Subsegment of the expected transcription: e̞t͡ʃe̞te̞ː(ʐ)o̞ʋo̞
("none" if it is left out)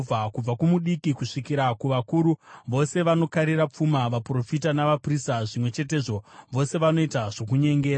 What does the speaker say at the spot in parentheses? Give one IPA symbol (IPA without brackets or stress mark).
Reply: ʐ